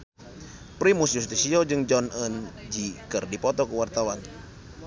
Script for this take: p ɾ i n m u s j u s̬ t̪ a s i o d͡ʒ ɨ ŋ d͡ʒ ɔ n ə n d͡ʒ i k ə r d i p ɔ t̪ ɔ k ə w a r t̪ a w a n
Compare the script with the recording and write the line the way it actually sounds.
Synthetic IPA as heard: p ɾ i m u s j u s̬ t̪ i s i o d͡ʒ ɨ ŋ d͡ʒ ɔ n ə n d͡ʒ i k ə r d i p ɔ t̪ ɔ k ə w a r t̪ a w a n